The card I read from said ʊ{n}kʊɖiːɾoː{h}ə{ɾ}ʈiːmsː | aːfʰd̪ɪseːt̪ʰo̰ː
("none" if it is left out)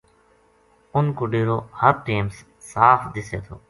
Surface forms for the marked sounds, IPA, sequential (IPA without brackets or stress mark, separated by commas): n, h, ɾ